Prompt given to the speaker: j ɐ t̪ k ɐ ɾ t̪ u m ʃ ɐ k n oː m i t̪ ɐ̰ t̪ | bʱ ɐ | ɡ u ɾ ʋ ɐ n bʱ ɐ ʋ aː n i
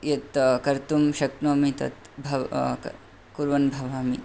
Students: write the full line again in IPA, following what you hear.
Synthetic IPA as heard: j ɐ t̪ k ɐ ɾ t̪ u m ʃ ɐ k n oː m i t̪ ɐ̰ t̪ | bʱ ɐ | k u ɾ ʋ ɐ n bʱ ɐ ʋ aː m i